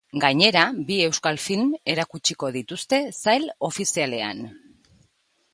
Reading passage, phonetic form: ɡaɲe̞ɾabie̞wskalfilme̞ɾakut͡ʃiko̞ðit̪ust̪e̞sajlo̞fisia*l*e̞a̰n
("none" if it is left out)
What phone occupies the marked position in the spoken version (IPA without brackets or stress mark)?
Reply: l